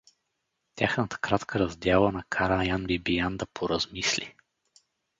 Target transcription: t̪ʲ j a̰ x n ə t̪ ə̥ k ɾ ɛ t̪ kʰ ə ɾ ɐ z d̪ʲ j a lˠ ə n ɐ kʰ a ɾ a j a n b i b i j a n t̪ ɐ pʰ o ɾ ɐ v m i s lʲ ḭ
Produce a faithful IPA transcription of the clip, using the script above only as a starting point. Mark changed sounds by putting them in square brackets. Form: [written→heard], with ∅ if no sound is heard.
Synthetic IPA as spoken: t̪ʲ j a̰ x n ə t̪ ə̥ k ɾ [ɛ→a] t̪ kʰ ə ɾ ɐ z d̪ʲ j a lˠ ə n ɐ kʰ a ɾ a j a n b i b i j a n [t̪→d̪] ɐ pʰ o ɾ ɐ [v→z] m i s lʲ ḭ